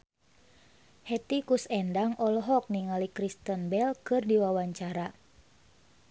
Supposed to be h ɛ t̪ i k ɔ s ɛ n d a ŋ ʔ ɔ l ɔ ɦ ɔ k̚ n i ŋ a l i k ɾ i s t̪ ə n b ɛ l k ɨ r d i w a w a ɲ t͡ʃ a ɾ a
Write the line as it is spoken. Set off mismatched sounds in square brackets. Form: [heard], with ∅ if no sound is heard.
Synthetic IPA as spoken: h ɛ t̪ i k [u] s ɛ n d a ŋ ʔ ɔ l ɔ ɦ ɔ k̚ n i ŋ a l i k ɾ i s t̪ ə n b ɛ l k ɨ r d i w a w a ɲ t͡ʃ a ɾ a

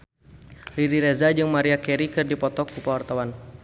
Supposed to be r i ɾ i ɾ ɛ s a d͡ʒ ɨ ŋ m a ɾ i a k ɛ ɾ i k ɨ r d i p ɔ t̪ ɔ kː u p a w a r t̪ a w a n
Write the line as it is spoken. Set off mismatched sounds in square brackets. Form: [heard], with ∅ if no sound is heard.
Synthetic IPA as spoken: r i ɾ i ɾ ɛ [z] a d͡ʒ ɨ ŋ m a ɾ i a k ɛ ɾ i k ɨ r d i p ɔ t̪ ɔ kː u p a w a r t̪ a w a n

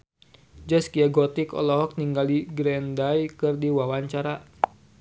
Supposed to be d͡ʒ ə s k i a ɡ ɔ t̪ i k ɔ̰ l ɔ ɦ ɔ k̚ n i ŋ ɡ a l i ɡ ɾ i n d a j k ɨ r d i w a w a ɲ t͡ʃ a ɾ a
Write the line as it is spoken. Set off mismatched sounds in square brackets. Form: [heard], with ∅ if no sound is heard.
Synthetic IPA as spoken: d͡ʒ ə s k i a ɡ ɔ t̪ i k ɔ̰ l ɔ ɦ ɔ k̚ n i ŋ ɡ a l i ɡ ɾ [ɛ] n d a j k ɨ r d i w a w a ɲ t͡ʃ a ɾ a

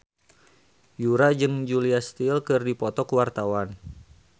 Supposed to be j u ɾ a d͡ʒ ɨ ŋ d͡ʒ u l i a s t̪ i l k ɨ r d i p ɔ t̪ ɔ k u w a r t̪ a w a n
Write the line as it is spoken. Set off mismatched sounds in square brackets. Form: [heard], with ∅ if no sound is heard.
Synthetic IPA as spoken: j u ɾ a d͡ʒ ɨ ŋ d͡ʒ u l i a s t̪ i l k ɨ r d i p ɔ t̪ ɔ k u w a r t̪ a w a n

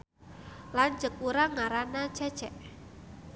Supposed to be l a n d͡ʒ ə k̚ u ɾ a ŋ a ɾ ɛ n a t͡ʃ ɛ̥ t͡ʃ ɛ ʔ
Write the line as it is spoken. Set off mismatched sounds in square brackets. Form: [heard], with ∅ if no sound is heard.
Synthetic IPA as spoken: l a n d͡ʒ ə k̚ u ɾ a ŋ a ɾ [a] n a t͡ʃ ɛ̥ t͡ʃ ɛ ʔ

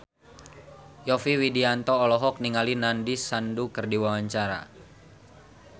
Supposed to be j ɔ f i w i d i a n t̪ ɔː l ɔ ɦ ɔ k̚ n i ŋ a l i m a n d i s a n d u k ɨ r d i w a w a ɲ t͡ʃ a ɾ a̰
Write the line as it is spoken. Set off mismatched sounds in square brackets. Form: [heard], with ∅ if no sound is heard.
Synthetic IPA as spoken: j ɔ f i w i d i a n t̪ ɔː l ɔ ɦ ɔ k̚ n i ŋ a l i [n] a n d i s a n d u k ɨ r d i w a w a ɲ t͡ʃ a ɾ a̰

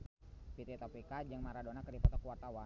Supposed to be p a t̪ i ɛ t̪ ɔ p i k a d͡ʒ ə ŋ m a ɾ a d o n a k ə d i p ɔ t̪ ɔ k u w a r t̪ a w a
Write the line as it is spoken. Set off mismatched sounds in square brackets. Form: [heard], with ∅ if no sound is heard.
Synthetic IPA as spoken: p [i] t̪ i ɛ t̪ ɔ p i k a d͡ʒ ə ŋ m a ɾ a d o n a k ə d i p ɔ t̪ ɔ k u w a r t̪ a w a

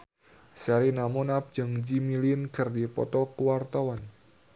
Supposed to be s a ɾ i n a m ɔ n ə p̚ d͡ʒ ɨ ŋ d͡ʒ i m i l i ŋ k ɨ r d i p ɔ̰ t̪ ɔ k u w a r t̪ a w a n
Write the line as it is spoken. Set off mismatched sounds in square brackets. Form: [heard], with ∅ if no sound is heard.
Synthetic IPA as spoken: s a ɾ i n a m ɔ n [a] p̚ d͡ʒ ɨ ŋ d͡ʒ i m i l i [n] k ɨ r d i p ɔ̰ t̪ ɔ k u w a r t̪ a w a n

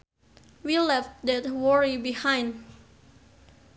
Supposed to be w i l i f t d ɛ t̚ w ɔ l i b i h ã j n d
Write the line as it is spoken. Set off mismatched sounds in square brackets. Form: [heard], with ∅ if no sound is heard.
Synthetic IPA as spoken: w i l [ɛ] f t d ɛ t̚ w ɔ [ɹ] i b i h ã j n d

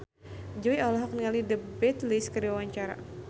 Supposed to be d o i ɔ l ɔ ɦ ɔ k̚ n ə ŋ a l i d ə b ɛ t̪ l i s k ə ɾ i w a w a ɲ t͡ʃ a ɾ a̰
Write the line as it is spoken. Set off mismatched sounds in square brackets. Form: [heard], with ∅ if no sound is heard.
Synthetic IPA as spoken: [d͡ʒ] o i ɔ l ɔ ɦ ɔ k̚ n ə ŋ a l i d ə b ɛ t̪ l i s k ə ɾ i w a w a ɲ t͡ʃ a ɾ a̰

